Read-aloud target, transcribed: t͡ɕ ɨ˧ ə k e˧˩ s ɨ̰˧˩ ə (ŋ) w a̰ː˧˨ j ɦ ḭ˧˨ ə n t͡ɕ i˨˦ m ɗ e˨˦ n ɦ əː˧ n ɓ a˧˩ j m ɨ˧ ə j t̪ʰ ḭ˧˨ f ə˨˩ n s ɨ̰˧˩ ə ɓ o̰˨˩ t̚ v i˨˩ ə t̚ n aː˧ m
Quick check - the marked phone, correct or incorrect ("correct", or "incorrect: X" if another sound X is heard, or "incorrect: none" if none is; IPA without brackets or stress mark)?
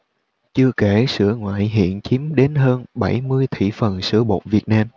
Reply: correct